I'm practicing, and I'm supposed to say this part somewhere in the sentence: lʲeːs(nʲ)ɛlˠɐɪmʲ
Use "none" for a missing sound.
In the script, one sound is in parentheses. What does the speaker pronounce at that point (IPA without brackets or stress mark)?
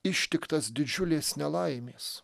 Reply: nʲ